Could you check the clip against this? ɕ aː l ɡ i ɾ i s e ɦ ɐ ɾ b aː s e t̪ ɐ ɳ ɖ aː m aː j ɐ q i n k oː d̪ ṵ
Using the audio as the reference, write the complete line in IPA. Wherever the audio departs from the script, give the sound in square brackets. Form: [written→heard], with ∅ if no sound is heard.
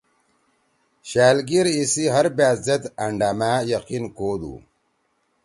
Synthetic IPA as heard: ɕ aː l ɡ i ɾ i s [e→i] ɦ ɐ ɾ b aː [s→z] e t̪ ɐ ɳ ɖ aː m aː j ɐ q i n k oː d̪ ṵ